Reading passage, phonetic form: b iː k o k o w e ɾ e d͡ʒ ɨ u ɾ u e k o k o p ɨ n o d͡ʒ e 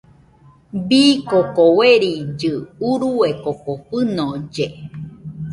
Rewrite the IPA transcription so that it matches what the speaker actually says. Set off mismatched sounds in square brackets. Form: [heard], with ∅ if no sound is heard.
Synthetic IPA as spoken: b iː k o k o w e ɾ [i] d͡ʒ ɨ u ɾ u e k o k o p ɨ n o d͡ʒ e